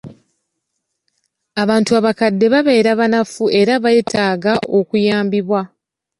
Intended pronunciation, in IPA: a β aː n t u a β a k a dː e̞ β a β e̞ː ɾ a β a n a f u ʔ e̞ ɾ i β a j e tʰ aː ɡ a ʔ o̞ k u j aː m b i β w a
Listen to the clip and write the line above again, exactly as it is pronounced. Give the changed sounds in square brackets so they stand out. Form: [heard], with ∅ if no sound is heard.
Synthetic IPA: a β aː n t u a β a k a dː e̞ β a β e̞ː ɾ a β a n a f u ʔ e̞ ɾ [a] β a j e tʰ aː ɡ a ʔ o̞ k u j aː m b i β w a

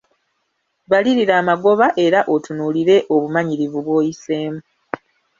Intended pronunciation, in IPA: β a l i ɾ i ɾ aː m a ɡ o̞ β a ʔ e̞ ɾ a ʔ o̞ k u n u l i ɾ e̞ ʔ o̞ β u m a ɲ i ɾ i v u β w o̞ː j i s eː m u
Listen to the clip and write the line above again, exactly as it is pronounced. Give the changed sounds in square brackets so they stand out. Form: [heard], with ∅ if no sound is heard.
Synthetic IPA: β a l i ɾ i ɾ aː m a ɡ o̞ β a ʔ e̞ ɾ a ʔ o̞ [t] u n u l i ɾ e̞ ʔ o̞ β u m a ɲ i ɾ i v u β w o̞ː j i s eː m u

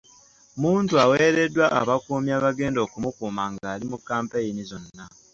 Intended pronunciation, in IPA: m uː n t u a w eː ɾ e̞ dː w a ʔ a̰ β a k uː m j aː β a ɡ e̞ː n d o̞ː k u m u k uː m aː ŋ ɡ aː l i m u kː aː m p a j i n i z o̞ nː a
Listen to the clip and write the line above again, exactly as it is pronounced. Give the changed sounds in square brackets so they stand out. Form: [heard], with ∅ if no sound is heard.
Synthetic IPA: m uː n t u a w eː ɾ e̞ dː w a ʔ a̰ β a k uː m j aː β a ɡ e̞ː n d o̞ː k u m u k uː m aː ŋ ɡ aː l i m u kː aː m p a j i n i z o̞ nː a

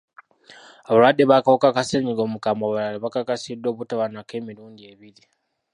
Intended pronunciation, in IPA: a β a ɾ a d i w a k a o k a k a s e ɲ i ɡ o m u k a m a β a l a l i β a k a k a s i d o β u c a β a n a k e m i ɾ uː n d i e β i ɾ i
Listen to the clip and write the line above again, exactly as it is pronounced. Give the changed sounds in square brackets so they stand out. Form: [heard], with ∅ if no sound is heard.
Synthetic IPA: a β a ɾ a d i [β] a k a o k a k a s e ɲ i ɡ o m u k a m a β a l a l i β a k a k a s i d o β u [t] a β a n a k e m i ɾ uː n d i e β i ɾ i

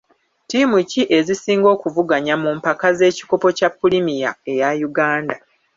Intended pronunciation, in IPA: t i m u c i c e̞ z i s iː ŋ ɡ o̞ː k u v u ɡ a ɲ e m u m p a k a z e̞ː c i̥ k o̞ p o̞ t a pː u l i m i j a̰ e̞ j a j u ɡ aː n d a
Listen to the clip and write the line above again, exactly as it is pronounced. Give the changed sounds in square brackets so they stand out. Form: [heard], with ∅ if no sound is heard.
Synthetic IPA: t i m u c i [ʔ] e̞ z i s iː ŋ ɡ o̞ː k u v u ɡ a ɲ [a] m u m p a k a z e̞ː c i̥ k o̞ p o̞ [c] a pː u l i m i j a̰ e̞ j a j u ɡ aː n d a

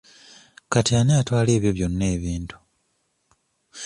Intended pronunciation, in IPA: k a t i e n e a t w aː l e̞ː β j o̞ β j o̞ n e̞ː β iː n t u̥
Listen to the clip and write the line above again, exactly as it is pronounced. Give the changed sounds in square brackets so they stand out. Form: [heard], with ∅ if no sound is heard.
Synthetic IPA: k a t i [a] n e a t w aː l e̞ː β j o̞ β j o̞ [nː] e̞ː β iː n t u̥

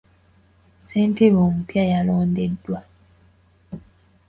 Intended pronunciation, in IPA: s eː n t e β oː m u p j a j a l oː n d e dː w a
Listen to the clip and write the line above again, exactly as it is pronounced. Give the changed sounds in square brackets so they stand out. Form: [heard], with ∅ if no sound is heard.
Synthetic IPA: s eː n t e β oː m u p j a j a l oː n d e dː w a

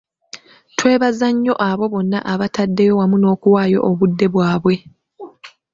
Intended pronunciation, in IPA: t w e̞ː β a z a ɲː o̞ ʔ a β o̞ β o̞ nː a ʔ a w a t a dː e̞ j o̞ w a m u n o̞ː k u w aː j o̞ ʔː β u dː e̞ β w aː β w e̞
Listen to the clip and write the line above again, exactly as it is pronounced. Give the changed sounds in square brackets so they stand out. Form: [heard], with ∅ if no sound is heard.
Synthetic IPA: t w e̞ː β a z a ɲː o̞ ʔ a β o̞ β o̞ nː a ʔ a [β] a t a dː e̞ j o̞ w a m u n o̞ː k u w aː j o̞ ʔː β u dː e̞ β w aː β w e̞

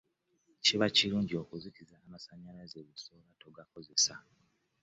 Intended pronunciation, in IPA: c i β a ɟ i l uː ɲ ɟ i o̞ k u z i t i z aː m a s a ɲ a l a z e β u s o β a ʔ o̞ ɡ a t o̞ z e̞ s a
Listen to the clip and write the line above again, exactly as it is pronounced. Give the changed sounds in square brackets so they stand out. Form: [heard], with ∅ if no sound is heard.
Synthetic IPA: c i β a [c] i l uː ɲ ɟ i o̞ k u z i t i z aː m a s a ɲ a l a z e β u s o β a [t] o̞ ɡ a [k] o̞ z e̞ s a

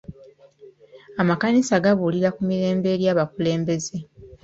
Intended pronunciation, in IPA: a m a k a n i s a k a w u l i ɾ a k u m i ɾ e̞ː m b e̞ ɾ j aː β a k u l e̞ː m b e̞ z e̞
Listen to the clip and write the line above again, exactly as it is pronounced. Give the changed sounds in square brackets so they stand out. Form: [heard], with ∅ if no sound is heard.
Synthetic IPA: a m a k a n i s a [ɡ] a [β] u l i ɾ a k u m i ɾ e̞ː m b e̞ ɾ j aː β a k u l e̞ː m b e̞ z e̞

